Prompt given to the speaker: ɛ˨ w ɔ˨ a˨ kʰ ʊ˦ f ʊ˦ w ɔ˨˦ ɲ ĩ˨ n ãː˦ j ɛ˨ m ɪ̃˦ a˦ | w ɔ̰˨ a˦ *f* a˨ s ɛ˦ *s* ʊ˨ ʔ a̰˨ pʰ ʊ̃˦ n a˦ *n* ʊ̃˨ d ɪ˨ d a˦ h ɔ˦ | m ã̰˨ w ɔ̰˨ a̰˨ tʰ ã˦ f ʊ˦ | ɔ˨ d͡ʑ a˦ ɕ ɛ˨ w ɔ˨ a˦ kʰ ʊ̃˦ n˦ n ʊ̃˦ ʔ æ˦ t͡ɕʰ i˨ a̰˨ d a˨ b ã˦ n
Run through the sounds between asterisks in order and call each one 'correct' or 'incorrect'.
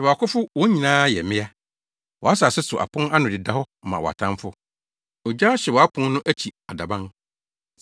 incorrect: s, correct, correct

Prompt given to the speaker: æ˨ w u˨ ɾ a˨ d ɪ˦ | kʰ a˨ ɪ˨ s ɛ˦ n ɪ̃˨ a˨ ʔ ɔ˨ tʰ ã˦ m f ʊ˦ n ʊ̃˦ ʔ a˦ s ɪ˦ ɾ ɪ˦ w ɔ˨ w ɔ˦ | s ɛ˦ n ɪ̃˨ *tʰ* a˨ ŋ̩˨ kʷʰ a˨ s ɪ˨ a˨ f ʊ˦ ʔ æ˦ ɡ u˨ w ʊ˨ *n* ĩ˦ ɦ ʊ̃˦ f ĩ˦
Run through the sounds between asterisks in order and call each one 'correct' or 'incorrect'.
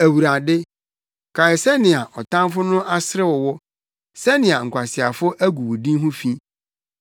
incorrect: none, incorrect: d

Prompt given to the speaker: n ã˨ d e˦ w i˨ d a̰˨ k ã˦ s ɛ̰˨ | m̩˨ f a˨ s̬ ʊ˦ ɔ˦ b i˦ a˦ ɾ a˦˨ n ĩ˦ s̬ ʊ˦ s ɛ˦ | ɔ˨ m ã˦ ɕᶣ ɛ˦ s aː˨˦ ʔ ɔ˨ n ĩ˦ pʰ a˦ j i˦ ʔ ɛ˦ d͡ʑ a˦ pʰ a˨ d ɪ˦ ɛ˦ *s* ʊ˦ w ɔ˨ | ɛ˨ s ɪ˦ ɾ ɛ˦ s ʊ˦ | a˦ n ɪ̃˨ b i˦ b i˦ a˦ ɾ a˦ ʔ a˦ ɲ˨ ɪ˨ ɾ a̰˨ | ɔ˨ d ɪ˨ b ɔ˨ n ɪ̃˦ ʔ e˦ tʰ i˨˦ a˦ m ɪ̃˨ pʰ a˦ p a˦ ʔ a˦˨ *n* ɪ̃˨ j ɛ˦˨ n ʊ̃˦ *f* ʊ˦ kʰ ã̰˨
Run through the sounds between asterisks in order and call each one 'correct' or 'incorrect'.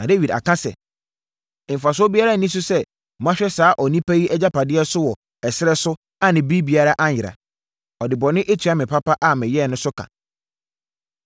correct, incorrect: m, incorrect: s

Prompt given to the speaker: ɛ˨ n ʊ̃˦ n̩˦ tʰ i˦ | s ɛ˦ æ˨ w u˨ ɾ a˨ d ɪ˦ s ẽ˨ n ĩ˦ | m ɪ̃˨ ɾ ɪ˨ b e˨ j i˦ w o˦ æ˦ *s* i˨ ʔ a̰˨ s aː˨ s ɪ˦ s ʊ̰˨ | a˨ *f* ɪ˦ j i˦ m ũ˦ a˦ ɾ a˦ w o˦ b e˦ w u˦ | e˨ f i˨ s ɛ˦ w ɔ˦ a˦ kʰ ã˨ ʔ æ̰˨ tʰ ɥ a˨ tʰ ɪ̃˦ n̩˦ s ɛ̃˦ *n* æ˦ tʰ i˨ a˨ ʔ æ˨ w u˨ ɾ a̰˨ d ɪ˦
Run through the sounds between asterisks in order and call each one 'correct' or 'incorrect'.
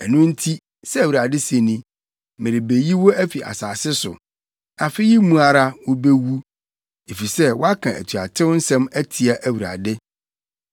incorrect: f, correct, incorrect: m

